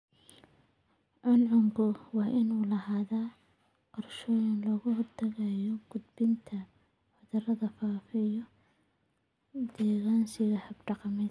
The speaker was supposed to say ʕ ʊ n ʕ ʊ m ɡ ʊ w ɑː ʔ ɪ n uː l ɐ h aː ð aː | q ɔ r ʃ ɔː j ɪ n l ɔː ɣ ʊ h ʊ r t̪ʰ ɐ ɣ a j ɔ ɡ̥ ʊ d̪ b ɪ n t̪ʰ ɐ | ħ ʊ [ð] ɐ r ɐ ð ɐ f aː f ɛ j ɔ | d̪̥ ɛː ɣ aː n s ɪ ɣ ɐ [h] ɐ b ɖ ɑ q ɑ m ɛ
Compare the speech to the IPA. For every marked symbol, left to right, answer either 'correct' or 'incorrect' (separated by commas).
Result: correct, correct